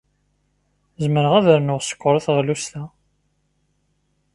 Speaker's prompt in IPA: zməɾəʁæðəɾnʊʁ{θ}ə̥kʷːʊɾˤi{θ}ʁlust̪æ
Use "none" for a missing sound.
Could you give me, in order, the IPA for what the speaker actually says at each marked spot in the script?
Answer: s, θ

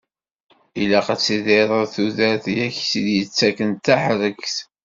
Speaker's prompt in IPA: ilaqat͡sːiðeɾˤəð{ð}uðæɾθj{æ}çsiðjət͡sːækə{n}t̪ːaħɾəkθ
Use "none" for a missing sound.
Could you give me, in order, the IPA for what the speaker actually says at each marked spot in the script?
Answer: θ, æ, n

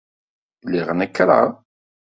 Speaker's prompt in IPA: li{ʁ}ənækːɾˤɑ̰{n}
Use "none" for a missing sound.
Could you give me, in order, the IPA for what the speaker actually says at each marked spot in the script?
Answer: ʁ, none

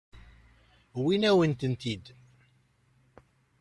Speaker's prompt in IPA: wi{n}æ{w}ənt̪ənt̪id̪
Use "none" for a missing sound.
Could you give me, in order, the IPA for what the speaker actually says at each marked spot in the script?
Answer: n, w

